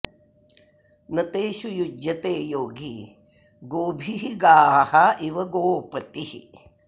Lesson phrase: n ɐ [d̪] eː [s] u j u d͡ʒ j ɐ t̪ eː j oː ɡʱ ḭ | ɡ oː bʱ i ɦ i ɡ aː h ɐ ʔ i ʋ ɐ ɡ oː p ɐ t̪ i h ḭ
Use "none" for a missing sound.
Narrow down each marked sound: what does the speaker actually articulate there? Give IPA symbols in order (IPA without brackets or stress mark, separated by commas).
t̪, ʃ